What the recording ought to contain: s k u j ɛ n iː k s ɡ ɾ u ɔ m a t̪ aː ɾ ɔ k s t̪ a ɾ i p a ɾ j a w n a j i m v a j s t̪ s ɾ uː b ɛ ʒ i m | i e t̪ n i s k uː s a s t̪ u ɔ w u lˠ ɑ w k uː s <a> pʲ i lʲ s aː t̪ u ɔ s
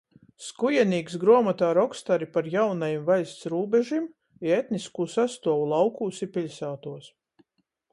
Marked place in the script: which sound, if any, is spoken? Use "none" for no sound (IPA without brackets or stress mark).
i